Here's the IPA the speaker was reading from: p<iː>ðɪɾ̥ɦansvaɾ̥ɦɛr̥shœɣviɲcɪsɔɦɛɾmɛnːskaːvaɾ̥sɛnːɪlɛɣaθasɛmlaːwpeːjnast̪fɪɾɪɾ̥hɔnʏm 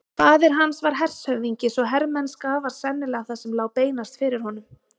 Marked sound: incorrect: aː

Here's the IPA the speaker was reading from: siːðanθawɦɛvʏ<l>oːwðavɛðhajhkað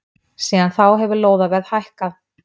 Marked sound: correct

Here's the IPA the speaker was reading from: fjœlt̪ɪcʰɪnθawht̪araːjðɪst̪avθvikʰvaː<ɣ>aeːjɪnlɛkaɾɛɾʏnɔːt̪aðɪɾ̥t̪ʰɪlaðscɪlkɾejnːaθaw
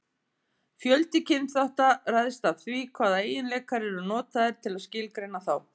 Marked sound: incorrect: ð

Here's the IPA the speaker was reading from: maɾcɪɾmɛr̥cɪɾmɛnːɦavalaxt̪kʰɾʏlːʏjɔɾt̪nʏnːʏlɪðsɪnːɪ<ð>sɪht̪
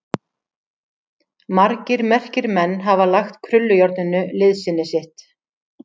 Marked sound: incorrect: none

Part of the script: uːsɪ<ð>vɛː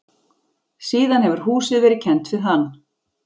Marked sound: correct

